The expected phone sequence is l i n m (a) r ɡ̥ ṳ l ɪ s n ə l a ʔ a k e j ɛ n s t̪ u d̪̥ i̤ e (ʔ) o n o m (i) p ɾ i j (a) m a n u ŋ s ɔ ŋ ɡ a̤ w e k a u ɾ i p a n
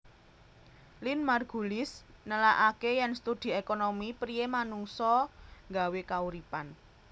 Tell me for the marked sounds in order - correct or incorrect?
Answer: correct, incorrect, correct, incorrect

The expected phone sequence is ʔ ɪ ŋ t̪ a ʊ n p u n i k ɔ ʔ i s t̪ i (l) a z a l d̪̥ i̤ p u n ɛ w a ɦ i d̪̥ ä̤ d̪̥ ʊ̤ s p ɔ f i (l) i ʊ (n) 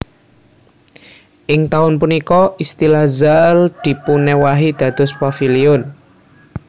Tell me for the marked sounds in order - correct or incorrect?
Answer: correct, correct, correct

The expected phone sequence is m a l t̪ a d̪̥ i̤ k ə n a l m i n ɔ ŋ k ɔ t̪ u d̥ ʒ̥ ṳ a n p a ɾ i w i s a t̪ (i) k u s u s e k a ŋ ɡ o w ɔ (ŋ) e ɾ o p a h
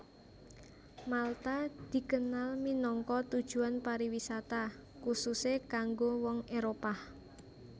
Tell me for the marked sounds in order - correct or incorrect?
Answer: incorrect, correct

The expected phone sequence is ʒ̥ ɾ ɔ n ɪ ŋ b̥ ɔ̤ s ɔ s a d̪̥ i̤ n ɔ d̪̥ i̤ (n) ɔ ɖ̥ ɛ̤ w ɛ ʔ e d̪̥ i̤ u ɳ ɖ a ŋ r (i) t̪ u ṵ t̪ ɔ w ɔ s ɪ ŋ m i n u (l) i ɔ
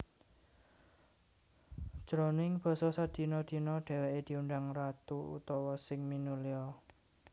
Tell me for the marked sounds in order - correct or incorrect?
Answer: correct, incorrect, correct

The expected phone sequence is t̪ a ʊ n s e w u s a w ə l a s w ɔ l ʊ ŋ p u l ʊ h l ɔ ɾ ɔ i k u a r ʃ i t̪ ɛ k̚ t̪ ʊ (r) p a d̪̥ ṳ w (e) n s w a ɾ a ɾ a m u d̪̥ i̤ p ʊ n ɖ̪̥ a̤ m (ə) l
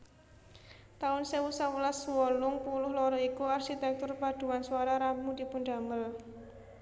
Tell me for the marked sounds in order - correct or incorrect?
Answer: correct, incorrect, correct

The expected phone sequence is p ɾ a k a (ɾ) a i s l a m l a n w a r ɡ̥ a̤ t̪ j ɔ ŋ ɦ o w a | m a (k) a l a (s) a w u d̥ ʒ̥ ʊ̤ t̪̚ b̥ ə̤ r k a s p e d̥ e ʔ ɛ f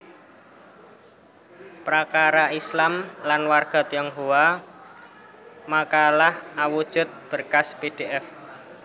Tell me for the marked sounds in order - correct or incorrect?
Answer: correct, correct, incorrect

